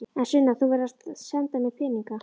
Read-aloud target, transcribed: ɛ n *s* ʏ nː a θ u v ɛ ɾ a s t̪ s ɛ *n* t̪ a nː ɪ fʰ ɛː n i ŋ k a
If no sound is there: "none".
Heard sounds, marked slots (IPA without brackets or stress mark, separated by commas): s, n